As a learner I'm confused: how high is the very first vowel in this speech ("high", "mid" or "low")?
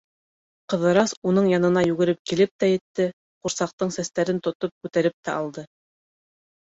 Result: mid